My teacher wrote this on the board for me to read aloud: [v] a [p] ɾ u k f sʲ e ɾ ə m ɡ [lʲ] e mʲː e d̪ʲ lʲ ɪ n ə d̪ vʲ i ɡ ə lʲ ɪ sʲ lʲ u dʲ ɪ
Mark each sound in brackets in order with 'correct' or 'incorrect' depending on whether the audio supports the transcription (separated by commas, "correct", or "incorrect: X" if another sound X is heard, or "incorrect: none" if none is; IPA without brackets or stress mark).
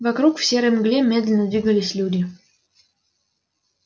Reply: correct, incorrect: k, correct